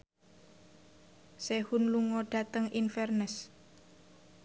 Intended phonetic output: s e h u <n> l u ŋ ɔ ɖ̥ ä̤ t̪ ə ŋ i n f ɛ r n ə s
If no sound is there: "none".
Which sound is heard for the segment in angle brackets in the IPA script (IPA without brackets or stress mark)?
n